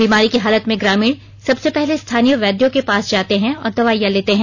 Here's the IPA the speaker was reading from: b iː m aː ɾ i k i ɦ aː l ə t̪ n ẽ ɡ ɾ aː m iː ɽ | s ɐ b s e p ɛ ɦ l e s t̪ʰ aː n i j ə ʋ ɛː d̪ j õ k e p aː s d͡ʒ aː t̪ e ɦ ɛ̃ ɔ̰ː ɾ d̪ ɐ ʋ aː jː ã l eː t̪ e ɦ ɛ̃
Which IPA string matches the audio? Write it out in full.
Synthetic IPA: b iː m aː ɾ i k i ɦ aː l ə t̪ m ẽ ɡ ɾ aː m iː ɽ | s ɐ b s e p ɛ ɦ l e s t̪ʰ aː n i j ə ʋ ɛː d̪ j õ k e p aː s d͡ʒ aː t̪ e ɦ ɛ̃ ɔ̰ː ɾ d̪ ɐ ʋ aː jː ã l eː t̪ e ɦ ɛ̃